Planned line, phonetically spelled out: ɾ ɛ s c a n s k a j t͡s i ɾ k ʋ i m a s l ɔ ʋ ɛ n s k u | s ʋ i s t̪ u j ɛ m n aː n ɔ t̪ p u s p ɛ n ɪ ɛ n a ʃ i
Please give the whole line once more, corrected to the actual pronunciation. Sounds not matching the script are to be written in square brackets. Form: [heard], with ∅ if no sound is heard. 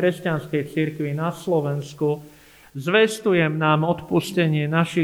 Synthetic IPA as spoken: ɾ ɛ s c a n s k [ɛ] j t͡s i ɾ k ʋ i [n] a s l ɔ ʋ ɛ n s k u | [z] ʋ [ɛ] s t̪ u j ɛ m n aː [m] ɔ t̪ p u s [c] ɛ [ɲ] ɪ ɛ n a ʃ i